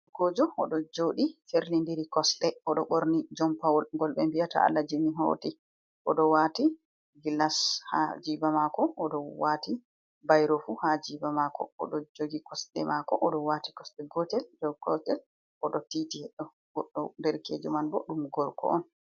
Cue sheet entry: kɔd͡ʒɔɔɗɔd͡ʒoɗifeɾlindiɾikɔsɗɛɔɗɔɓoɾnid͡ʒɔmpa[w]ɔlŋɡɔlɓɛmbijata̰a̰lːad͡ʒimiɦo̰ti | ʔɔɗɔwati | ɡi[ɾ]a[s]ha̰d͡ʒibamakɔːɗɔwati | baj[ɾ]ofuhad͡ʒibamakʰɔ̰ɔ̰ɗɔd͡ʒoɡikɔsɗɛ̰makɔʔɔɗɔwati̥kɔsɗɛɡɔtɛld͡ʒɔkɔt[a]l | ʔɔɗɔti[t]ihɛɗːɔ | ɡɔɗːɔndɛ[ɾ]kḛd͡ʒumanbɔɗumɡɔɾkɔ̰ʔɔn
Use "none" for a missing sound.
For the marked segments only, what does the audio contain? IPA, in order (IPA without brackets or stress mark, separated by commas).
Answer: w, l, s, ɾ, ɛ, t, ɾ